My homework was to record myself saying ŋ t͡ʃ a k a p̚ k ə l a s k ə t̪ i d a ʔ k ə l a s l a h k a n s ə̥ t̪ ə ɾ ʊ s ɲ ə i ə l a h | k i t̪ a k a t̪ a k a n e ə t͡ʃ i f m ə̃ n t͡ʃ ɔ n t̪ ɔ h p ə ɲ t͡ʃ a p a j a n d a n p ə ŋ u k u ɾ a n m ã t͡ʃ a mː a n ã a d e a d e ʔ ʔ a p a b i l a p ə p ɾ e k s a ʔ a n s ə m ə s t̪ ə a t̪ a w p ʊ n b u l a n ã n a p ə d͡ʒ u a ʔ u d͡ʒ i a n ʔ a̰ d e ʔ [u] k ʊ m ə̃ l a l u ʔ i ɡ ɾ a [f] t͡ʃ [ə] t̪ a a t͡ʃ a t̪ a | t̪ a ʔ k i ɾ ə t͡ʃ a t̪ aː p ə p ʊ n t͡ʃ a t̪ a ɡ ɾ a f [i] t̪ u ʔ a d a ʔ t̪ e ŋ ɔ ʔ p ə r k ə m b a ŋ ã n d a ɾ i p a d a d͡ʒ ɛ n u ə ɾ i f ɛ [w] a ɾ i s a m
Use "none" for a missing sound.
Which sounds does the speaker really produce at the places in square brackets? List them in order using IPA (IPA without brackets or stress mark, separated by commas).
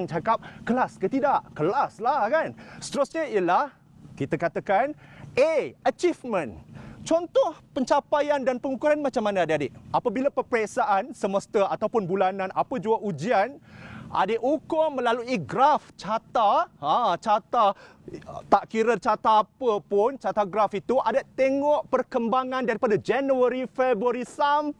u, f, a, i, b